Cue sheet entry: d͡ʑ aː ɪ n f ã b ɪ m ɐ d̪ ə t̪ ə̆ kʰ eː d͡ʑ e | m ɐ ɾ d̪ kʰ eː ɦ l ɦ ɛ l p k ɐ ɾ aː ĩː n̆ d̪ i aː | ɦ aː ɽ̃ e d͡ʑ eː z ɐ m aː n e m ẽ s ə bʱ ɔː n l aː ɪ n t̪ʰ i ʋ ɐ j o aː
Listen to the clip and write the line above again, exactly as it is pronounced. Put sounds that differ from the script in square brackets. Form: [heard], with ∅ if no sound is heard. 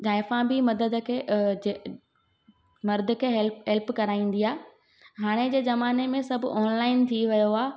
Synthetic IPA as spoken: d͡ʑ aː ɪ [∅] f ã b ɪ m ɐ d̪ ə [d̪] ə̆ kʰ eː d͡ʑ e | m ɐ ɾ d̪ kʰ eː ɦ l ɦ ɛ l p k ɐ ɾ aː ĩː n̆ d̪ i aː | ɦ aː ɽ̃ e d͡ʑ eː z ɐ m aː n e m ẽ s [ɐ] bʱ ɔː n l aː ɪ n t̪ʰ i ʋ ɐ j o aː